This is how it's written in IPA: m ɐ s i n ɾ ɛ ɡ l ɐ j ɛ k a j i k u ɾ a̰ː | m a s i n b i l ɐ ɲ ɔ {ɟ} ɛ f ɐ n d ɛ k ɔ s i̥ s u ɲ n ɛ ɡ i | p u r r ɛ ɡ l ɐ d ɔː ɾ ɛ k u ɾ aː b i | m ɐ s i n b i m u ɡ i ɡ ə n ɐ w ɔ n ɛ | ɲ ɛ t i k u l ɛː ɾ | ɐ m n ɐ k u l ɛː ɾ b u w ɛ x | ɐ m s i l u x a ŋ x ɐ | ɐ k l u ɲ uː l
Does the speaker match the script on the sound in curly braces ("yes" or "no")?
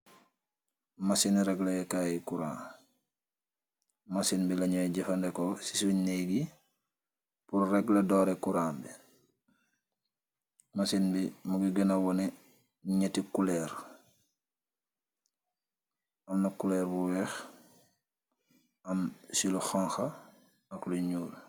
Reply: yes